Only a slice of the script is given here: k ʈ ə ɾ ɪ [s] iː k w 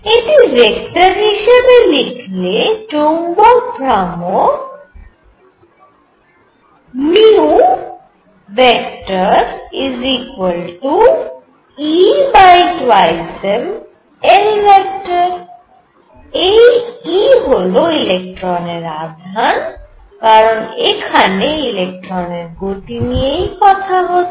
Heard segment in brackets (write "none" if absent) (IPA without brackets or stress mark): z